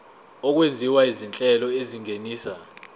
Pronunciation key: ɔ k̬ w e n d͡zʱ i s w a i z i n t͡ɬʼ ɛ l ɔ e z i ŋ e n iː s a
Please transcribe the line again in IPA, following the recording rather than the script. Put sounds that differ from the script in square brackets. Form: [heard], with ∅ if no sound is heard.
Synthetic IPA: ɔ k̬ w e n d͡zʱ i [∅] w a i z i n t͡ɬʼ ɛ l ɔ e z i ŋ e n iː s a